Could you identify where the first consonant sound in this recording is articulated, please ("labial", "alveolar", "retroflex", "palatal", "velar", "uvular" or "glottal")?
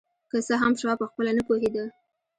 velar